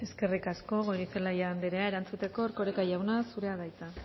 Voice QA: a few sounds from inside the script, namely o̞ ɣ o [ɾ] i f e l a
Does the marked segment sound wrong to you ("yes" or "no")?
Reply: no